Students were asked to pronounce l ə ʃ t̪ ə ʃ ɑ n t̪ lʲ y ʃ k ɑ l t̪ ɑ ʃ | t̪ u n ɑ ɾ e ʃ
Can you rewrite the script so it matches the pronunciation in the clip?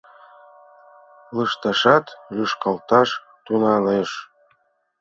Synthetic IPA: l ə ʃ t̪ ɑ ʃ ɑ t̪ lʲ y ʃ k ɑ l t̪ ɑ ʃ | t̪ u n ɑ l e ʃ